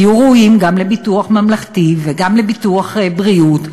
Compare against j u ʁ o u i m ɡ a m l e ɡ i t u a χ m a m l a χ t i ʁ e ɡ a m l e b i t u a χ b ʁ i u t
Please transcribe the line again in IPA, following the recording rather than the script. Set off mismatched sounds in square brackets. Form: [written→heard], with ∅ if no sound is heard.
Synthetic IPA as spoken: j u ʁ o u i m ɡ a m l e [ɡ→b] i t u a χ m a m l a χ t i [ʁ→v] e ɡ a m l e b i t u a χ b ʁ i u t